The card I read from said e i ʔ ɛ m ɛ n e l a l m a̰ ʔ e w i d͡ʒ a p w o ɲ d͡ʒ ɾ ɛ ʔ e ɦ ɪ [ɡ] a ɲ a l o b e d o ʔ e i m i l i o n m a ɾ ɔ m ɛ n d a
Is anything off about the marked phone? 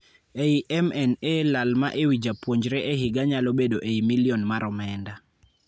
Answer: no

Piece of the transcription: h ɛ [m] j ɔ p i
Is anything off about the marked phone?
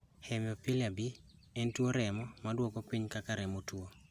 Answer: no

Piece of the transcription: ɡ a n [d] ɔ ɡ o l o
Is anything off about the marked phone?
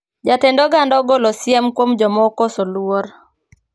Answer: no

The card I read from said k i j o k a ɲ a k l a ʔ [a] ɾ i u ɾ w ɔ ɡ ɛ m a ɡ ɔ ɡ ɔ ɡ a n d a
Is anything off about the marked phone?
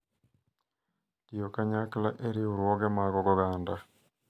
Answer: yes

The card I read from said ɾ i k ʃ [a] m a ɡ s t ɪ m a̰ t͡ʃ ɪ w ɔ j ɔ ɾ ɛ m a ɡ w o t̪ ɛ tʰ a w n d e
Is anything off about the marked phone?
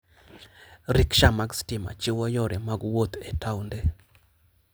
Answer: no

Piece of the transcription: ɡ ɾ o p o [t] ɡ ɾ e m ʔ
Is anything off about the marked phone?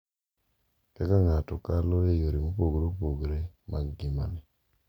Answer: yes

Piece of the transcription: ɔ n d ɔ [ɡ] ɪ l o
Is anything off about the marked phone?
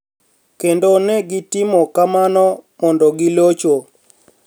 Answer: no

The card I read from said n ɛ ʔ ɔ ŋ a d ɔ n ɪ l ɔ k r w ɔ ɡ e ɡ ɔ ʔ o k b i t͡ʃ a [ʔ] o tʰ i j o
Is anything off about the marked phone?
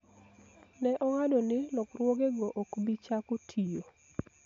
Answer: yes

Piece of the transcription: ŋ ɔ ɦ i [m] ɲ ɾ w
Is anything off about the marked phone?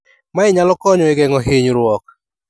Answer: yes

